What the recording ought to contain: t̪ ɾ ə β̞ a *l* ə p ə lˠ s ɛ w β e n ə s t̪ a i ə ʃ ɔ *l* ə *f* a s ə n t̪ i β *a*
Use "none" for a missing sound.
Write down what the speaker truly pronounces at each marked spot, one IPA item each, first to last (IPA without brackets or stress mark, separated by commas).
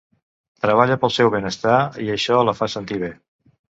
ʎ, l, f, e